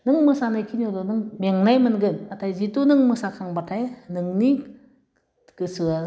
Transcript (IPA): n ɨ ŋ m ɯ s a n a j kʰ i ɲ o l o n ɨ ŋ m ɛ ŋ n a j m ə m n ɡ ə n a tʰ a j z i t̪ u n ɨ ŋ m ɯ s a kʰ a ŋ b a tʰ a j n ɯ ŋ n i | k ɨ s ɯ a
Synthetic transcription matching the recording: n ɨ ŋ m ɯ s a n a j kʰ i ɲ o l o n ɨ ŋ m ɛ ŋ n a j m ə n ɡ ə n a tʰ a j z i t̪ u n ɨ ŋ m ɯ s a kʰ a ŋ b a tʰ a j n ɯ ŋ n i | k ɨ s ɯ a